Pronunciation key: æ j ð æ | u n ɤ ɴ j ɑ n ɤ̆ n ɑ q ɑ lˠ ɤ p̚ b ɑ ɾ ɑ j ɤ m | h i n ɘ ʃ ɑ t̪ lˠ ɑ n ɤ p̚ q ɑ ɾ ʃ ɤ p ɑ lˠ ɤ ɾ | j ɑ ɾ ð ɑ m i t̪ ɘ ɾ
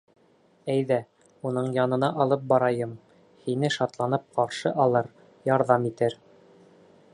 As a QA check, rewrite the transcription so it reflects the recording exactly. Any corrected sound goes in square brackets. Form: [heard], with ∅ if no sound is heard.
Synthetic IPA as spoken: æ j ð æ | u n ɤ ɴ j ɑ n ɤ̆ n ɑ [ʔ] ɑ lˠ ɤ p̚ b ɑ ɾ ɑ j ɤ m | h i n ɘ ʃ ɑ t̪ lˠ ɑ n ɤ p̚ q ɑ ɾ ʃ ɤ [ʔ] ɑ lˠ ɤ ɾ | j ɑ ɾ ð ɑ m i t̪ ɘ ɾ